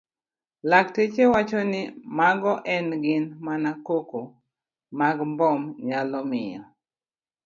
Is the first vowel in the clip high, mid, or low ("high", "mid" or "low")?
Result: low